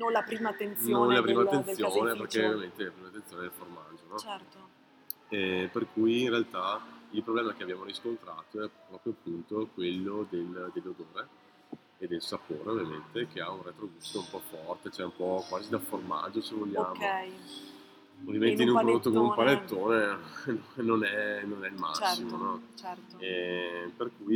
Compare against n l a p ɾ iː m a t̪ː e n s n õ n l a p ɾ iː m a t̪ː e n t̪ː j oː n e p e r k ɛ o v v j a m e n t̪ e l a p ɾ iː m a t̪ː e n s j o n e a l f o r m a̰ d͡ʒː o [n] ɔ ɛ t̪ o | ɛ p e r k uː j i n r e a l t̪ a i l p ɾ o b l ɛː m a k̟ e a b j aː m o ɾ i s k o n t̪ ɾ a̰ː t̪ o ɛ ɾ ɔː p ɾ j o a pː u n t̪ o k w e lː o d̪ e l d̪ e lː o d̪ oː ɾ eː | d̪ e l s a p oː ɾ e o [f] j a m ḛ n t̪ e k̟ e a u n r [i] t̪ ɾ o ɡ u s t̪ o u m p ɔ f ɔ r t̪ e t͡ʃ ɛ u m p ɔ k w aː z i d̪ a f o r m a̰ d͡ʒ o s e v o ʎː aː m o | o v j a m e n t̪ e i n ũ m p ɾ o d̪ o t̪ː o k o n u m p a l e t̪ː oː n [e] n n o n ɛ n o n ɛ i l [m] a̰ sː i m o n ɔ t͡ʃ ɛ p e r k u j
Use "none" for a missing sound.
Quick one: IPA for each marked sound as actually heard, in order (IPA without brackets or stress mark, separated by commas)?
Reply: n, v, e, e, m